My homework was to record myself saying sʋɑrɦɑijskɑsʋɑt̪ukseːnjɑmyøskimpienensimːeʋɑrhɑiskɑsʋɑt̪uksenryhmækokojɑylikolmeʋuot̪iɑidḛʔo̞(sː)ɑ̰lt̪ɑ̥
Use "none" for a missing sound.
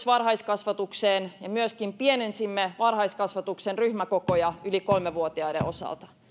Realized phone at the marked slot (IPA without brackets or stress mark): s